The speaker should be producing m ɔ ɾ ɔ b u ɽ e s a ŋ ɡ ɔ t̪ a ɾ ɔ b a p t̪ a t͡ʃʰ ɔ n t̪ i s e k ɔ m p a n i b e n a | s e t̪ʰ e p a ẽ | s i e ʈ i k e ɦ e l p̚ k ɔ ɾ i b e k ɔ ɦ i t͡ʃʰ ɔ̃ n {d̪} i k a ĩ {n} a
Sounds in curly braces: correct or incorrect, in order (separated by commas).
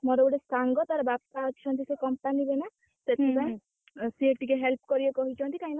incorrect, correct